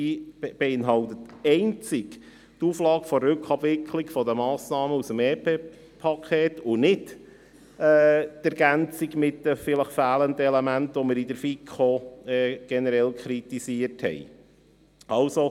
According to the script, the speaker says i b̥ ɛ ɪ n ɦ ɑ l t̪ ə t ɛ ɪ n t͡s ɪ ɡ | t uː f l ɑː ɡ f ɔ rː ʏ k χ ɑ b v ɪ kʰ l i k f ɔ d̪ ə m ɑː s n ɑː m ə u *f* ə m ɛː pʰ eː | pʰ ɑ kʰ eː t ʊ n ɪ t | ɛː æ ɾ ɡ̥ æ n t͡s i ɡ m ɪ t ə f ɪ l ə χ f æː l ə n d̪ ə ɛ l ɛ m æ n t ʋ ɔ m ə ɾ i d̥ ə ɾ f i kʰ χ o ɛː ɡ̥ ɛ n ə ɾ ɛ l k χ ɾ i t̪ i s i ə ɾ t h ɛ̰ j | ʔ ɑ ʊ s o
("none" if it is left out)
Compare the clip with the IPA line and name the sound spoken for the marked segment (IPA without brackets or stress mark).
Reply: s